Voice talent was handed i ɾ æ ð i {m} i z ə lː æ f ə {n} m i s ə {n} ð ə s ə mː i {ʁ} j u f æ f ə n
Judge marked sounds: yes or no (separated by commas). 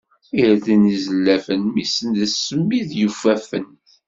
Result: no, yes, yes, no